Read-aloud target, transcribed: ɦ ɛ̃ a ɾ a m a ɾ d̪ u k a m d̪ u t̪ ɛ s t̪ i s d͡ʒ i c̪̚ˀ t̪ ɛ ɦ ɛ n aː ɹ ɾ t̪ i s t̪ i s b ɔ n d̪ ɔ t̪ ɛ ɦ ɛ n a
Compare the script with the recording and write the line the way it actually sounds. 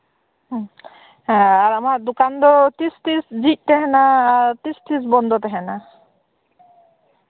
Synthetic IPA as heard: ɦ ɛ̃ a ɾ a m a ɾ d̪ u k a n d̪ ɔ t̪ i s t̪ i s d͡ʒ i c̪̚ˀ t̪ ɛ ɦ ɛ n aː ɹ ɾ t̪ i s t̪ i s b ɔ n d̪ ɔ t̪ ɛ ɦ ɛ n a